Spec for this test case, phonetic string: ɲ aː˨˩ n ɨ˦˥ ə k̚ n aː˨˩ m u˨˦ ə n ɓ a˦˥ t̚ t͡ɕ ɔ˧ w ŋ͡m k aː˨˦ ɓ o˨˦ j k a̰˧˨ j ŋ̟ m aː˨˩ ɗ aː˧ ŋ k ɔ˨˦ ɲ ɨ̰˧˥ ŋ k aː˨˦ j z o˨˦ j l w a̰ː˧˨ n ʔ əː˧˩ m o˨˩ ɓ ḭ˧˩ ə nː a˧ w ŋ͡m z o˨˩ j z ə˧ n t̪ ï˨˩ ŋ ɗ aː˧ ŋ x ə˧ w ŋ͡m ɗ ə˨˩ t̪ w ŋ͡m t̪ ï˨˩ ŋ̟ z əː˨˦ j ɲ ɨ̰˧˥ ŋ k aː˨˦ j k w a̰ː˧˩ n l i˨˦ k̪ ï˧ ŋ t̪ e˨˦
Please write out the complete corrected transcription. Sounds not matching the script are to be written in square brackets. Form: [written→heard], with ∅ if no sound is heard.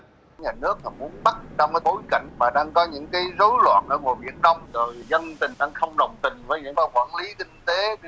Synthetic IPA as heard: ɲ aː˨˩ n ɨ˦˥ ə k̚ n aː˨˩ m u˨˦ ə n ɓ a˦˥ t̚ t͡ɕ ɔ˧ w ŋ͡m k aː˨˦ ɓ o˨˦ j k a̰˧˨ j ŋ̟ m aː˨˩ ɗ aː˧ ŋ k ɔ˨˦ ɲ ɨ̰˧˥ ŋ k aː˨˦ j z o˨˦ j l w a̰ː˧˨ n ʔ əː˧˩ [m→ŋ] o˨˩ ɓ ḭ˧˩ ə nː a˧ w ŋ͡m z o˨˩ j z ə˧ n t̪ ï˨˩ ŋ ɗ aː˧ ŋ x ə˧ w ŋ͡m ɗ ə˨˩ [t̪→∅] w ŋ͡m t̪ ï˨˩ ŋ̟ [z→v] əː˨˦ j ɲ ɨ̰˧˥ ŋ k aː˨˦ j k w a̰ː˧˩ n l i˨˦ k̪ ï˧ ŋ t̪ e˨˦